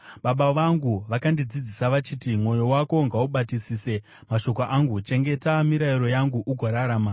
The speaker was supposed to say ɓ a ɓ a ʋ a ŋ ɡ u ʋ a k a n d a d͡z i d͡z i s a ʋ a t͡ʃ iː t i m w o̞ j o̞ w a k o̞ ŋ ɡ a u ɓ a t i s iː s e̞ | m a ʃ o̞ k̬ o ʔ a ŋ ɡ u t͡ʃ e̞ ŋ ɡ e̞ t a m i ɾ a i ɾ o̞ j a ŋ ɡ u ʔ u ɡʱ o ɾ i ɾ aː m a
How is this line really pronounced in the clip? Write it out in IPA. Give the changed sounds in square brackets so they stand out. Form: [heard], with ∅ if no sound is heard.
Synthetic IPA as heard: ɓ a ɓ a ʋ a ŋ ɡ u ʋ a k a n d [i] d͡z i d͡z i s a ʋ a t͡ʃ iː t i m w o̞ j o̞ w a k o̞ ŋ ɡ a u ɓ a t i s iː s e̞ | m a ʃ o̞ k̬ o ʔ a ŋ ɡ u t͡ʃ e̞ ŋ ɡ e̞ t a m i ɾ a i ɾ o̞ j a ŋ ɡ u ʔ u ɡʱ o ɾ [a] ɾ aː m a